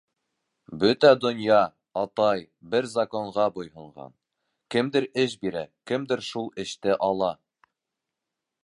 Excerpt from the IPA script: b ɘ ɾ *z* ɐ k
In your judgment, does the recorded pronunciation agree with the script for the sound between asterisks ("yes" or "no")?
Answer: yes